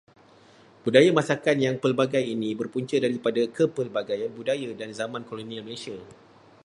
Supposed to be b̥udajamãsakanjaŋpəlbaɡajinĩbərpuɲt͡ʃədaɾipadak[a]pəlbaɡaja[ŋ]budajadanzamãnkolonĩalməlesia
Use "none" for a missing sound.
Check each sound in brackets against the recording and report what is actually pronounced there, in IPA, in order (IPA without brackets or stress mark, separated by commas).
ə, n